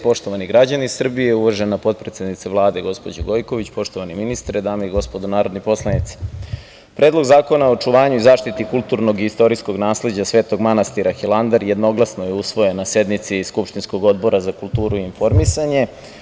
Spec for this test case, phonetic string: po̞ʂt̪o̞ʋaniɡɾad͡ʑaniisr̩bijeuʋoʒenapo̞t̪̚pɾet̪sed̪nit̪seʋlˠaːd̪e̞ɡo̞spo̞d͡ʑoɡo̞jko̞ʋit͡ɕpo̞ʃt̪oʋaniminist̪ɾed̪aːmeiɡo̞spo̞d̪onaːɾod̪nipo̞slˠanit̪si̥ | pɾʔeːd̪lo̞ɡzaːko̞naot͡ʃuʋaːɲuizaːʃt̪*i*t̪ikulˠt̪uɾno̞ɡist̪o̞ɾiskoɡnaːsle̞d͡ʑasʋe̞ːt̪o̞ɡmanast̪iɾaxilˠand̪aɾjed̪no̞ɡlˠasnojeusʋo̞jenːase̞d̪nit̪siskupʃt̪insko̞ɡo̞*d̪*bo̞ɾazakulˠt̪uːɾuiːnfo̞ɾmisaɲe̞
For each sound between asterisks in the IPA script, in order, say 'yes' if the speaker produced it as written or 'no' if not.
yes, yes

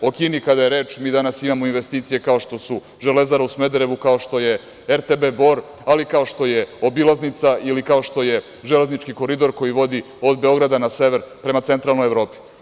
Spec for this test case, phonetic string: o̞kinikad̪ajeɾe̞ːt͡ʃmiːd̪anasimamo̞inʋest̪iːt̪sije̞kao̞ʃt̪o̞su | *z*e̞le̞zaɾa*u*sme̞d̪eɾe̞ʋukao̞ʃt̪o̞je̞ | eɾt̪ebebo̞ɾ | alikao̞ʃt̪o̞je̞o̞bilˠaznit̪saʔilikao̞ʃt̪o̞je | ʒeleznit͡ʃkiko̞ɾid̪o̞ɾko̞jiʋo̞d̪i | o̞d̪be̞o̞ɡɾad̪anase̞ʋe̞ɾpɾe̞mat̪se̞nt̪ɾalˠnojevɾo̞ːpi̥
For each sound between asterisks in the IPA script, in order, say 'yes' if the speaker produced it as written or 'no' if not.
no, yes

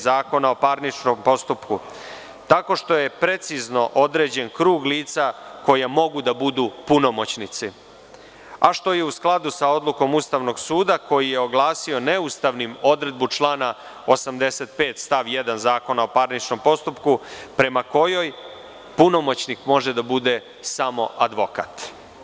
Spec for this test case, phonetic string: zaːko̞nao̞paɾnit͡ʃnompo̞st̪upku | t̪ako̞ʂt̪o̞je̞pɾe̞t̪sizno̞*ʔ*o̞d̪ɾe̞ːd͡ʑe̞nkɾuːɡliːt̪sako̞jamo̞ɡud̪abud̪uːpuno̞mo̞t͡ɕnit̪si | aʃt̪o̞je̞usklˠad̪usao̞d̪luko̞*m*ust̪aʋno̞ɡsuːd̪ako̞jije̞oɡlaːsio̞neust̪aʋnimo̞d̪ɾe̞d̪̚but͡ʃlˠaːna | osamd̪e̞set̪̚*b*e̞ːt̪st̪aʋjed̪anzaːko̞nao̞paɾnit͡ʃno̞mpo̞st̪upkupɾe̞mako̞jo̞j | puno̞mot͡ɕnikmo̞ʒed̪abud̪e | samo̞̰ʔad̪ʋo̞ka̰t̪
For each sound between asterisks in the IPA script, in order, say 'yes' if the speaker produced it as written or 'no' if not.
yes, yes, no

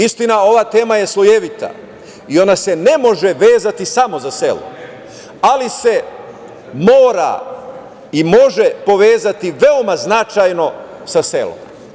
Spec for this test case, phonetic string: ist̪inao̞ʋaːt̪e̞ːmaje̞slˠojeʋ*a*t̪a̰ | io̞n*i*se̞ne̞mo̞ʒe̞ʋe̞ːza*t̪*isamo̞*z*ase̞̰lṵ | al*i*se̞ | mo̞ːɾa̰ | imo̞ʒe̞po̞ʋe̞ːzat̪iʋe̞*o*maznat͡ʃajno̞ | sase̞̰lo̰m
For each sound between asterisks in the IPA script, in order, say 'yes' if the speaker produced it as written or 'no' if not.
no, no, yes, yes, yes, yes

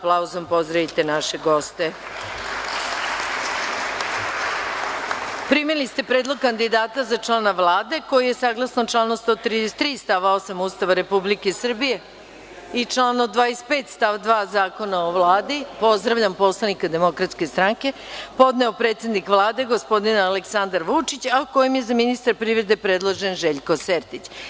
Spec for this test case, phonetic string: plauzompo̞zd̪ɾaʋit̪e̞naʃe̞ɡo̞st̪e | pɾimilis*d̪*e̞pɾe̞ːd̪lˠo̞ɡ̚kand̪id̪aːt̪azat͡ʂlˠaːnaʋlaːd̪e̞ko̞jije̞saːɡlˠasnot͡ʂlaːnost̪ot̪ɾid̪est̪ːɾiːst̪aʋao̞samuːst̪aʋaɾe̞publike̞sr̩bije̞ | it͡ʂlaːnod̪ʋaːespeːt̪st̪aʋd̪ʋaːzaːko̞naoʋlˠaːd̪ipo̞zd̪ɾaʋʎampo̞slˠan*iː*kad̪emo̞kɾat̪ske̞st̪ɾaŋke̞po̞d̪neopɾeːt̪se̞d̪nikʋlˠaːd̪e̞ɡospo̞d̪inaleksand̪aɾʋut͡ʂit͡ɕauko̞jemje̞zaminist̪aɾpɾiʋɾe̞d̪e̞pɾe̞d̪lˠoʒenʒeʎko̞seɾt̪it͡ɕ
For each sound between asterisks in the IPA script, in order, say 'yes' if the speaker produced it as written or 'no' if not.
no, no

